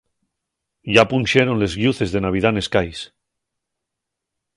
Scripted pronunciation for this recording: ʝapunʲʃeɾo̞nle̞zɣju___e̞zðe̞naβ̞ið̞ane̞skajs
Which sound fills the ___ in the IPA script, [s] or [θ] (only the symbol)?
θ